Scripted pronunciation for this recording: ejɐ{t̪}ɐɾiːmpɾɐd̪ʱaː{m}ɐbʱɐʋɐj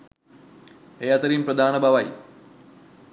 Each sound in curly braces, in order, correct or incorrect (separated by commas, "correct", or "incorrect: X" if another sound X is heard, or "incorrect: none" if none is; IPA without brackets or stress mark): correct, incorrect: n